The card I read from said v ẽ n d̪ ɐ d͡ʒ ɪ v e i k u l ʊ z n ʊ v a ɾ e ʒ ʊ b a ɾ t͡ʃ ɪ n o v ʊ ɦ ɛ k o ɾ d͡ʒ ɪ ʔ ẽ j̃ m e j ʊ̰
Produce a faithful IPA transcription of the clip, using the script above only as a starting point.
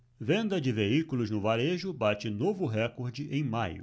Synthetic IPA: v ẽ n d̪ ɐ d͡ʒ ɪ v e i k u l ʊ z n ʊ v a ɾ e ʒ ʊ b a t͡ʃ ɪ n o v ʊ ɦ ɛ k o ɾ d͡ʒ ɪ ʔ ẽ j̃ m a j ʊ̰